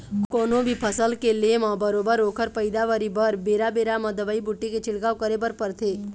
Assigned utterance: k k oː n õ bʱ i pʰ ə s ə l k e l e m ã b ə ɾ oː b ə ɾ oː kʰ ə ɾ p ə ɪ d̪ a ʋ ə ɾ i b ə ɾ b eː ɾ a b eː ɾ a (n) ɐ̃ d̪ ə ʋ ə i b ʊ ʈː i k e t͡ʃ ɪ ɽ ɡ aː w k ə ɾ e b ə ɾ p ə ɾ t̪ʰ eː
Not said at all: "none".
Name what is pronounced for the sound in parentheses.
m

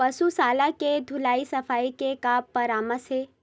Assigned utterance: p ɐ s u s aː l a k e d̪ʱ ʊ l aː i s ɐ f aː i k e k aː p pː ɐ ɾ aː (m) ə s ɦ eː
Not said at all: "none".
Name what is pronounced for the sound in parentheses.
m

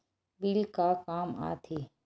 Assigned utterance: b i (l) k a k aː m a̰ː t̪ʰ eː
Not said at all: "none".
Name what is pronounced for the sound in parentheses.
l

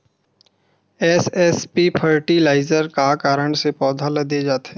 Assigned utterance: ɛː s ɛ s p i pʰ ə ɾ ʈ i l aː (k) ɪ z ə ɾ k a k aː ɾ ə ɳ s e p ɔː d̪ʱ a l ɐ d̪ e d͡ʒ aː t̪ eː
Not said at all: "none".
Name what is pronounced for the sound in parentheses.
none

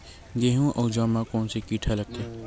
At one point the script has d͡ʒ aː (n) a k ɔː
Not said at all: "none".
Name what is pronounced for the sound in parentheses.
m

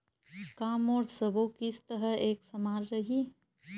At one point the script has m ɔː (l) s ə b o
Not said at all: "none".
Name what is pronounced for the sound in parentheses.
ɾ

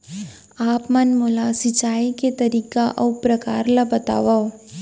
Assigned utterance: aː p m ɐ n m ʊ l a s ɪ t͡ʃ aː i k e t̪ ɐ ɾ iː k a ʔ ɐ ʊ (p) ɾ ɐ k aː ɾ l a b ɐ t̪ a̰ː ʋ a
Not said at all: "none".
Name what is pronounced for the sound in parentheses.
p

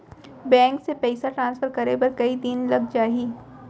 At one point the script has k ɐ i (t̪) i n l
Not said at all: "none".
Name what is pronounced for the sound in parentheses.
d̪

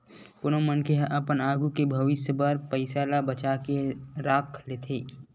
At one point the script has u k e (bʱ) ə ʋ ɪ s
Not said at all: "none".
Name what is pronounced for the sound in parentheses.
bʱ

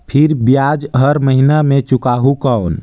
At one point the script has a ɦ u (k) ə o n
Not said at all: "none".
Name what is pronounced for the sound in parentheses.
k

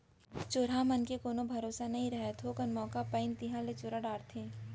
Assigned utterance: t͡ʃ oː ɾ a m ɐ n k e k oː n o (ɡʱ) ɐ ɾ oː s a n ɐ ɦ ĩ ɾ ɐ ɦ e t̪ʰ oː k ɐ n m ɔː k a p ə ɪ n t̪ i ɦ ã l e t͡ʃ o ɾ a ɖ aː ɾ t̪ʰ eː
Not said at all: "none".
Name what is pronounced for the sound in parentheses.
bʱ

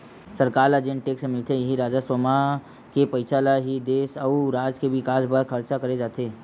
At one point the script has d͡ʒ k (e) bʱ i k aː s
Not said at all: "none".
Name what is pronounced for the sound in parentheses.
e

